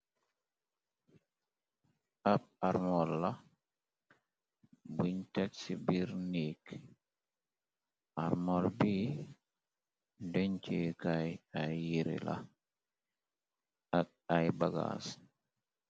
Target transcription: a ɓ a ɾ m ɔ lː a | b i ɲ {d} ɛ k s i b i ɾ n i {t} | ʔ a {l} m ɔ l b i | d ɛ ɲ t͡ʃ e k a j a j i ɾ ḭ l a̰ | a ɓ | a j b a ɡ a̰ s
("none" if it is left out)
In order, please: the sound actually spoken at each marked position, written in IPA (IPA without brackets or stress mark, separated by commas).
t, k, ɾ